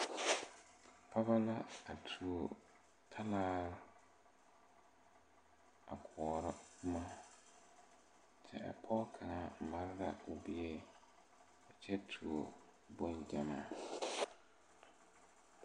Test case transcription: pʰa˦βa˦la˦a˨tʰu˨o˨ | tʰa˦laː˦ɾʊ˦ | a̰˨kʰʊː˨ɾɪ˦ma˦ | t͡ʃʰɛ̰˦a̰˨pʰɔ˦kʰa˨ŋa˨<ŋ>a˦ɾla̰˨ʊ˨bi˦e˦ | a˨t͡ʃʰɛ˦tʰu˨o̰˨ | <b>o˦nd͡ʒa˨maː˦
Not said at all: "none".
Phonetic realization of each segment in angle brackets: m, b

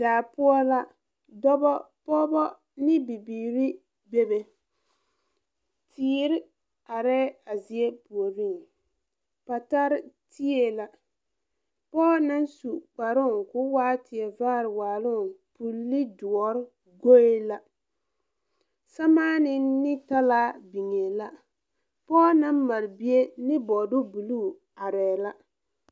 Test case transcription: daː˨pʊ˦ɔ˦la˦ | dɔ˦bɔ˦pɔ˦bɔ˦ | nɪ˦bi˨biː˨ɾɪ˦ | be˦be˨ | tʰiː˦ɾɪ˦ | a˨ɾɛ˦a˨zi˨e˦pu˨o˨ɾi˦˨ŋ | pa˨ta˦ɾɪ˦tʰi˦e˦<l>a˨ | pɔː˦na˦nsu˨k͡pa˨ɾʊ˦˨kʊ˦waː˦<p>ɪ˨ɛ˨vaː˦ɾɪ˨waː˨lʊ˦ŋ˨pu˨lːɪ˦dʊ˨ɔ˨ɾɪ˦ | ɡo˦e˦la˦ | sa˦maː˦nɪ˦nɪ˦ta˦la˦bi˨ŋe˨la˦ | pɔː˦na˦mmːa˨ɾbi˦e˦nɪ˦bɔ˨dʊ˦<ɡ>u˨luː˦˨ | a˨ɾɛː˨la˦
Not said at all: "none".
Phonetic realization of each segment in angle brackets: l, t, b

